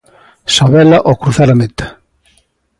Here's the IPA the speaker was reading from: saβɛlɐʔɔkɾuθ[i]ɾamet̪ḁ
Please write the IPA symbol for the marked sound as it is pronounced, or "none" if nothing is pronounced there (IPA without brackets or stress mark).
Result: a